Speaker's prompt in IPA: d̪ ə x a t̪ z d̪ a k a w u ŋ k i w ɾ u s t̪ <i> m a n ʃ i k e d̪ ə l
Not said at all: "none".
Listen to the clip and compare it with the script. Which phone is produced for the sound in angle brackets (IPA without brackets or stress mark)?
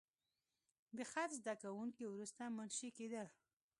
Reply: a